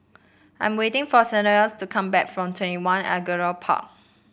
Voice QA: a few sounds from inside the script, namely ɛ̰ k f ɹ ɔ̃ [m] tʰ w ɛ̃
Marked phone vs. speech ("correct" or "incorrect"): correct